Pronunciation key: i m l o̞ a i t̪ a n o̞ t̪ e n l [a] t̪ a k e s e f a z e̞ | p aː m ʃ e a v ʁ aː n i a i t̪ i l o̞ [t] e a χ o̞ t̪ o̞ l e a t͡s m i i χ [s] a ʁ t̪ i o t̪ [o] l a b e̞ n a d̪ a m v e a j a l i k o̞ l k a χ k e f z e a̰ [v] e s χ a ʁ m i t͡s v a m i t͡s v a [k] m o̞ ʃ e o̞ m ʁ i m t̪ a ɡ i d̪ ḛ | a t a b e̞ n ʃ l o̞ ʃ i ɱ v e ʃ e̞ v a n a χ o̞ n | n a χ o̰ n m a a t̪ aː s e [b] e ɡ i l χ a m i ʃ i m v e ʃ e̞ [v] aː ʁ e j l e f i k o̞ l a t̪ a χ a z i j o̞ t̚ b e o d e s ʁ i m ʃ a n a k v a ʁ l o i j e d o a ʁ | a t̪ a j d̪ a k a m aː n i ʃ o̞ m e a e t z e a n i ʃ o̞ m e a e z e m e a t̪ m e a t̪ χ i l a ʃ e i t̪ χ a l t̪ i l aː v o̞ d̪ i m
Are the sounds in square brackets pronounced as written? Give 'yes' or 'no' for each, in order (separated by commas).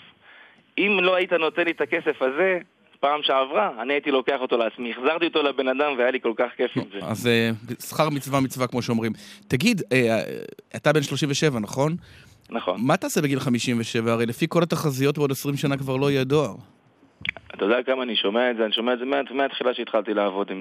no, no, no, yes, no, yes, yes, yes